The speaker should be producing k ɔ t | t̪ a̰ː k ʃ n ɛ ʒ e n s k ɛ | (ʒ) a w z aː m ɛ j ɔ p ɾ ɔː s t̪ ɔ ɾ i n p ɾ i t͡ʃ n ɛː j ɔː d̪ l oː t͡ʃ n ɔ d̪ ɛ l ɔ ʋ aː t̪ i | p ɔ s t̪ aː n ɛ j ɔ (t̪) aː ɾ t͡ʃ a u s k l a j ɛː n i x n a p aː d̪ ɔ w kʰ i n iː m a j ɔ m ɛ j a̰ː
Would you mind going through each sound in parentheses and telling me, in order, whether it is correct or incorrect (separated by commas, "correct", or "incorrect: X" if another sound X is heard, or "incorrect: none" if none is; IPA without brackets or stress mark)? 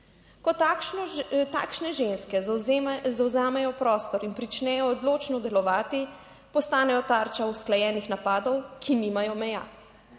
incorrect: z, correct